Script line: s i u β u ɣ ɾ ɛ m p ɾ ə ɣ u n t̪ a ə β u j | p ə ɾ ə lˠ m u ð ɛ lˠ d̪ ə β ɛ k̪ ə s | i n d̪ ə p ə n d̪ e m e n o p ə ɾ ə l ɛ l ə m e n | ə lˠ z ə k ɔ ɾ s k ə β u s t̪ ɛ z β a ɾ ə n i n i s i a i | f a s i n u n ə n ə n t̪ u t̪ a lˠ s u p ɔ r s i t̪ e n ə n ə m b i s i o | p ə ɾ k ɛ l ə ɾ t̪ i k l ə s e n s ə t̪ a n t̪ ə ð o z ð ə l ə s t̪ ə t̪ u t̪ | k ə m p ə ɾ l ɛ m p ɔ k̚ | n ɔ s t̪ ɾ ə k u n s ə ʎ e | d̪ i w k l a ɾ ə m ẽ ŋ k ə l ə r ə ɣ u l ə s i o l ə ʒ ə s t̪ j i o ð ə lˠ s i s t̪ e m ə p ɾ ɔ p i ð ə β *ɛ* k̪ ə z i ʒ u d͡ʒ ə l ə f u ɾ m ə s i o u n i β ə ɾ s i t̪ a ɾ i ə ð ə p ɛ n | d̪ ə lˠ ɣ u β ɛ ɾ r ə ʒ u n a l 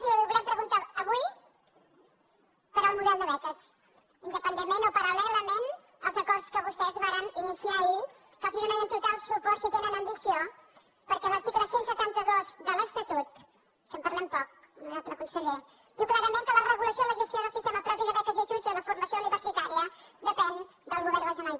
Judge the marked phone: correct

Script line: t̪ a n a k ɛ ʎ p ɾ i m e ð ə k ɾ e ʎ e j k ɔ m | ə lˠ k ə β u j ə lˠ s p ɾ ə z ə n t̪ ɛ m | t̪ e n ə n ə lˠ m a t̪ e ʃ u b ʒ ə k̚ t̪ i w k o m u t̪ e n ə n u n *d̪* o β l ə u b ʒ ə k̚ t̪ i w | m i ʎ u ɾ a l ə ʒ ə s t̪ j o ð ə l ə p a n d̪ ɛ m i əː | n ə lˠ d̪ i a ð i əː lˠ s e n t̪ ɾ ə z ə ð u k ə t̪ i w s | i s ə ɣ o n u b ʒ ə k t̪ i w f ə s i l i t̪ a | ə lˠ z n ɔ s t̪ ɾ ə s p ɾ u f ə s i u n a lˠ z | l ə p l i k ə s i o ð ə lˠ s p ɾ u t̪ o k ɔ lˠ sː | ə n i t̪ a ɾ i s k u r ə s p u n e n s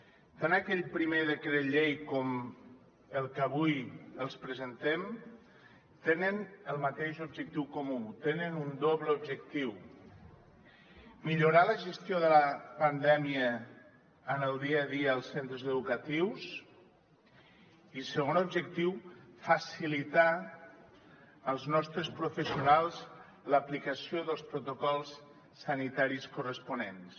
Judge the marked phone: correct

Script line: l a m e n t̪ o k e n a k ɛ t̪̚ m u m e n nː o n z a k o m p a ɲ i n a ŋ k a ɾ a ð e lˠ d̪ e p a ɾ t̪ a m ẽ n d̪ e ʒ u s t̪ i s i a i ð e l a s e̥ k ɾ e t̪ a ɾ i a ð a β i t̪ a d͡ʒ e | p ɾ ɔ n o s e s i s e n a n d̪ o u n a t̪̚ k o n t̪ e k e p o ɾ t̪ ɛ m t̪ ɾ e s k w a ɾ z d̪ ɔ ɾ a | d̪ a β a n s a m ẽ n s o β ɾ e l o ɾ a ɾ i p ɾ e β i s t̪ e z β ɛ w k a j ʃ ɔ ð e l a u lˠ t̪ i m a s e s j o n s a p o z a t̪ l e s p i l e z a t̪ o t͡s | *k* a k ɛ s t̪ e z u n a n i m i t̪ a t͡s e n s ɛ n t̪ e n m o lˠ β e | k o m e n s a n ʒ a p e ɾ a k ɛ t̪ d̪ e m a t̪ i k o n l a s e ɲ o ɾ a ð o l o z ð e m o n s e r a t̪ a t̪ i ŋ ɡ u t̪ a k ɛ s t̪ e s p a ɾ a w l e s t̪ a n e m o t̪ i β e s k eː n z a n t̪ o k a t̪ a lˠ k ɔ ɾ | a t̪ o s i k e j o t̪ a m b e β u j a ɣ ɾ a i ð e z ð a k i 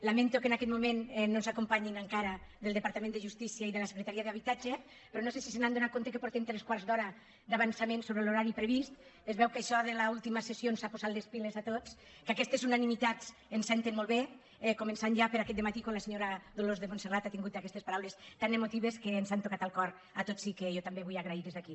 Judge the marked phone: correct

